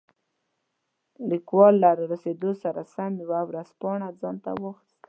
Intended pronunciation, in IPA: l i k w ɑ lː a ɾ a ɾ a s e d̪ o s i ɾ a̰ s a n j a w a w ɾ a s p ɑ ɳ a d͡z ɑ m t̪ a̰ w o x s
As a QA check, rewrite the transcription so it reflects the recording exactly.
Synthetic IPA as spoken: l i k w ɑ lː a ɾ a ɾ a s e d̪ o s a ɾ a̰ s a m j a w a w ɾ a s p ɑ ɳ a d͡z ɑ n t̪ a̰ w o x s